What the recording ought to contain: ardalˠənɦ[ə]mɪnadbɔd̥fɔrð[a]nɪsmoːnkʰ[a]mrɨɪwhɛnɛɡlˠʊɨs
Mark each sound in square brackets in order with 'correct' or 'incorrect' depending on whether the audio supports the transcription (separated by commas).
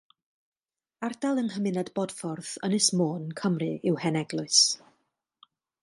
correct, incorrect, incorrect